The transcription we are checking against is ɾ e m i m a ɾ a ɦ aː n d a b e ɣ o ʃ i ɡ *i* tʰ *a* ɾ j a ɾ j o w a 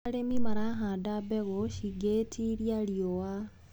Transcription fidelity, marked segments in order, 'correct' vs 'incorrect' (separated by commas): incorrect, incorrect